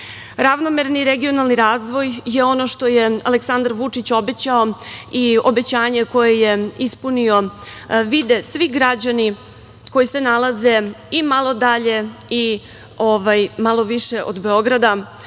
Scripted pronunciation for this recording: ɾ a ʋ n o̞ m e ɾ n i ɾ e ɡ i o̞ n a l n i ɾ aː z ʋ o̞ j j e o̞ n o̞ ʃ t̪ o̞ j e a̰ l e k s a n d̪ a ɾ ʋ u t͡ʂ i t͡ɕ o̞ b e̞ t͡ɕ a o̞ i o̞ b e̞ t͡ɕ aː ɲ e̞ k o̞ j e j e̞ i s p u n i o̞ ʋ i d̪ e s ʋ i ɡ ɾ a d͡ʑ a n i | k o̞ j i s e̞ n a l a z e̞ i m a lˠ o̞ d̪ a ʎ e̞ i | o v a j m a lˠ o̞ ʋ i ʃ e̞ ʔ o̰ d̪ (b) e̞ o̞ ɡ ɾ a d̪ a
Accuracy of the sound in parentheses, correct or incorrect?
correct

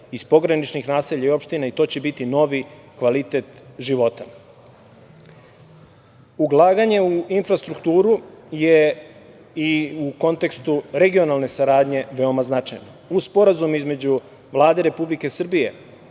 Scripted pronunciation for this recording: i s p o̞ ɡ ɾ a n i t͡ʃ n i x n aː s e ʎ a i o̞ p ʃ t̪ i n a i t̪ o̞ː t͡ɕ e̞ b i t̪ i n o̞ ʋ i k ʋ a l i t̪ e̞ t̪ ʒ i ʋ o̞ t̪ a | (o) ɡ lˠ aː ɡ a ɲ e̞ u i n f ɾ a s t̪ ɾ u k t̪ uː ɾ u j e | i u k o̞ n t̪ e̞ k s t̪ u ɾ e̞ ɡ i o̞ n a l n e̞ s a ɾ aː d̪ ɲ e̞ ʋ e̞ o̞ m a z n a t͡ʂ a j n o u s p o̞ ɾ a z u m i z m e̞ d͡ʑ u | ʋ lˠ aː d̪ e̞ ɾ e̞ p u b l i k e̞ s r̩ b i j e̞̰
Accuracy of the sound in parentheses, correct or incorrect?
incorrect: u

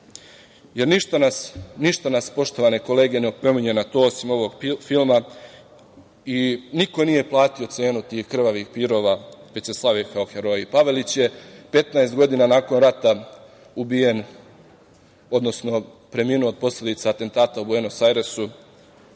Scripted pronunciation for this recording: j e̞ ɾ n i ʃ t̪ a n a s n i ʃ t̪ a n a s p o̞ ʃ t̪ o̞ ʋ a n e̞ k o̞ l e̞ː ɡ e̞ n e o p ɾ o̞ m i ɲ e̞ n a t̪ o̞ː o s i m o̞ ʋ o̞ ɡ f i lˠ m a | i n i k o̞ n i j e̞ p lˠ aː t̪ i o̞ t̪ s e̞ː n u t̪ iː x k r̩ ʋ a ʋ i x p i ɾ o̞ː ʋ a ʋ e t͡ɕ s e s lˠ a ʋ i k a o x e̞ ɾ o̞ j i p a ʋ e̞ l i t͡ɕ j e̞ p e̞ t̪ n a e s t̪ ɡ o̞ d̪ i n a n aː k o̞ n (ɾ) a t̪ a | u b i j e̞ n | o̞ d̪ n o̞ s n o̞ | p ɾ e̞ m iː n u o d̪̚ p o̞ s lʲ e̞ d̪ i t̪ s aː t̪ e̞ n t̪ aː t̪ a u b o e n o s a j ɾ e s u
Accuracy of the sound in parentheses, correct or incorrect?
correct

